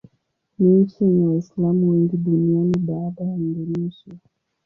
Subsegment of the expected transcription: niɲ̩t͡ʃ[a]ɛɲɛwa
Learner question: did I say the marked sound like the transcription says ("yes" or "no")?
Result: no